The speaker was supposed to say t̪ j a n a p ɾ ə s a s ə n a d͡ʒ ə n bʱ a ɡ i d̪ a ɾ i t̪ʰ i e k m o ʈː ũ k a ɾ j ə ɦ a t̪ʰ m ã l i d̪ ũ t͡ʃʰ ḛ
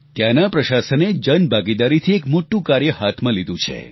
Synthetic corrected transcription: t̪ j a n a p ɾ ə ʃ a s ə n e d͡ʒ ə n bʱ a ɡ i d̪ a ɾ i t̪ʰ i e k m o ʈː ũ k a ɾ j ə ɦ a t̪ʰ m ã l i d̪ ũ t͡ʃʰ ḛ